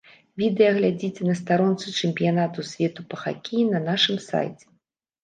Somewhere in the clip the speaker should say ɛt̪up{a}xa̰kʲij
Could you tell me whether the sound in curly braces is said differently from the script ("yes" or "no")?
yes